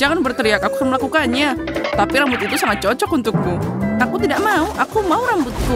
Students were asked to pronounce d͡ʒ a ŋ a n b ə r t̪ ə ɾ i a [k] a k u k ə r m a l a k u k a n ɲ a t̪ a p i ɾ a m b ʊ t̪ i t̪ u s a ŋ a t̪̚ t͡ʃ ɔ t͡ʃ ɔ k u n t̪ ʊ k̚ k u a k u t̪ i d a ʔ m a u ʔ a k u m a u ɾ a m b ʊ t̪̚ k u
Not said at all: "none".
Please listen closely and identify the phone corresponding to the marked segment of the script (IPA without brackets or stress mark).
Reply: k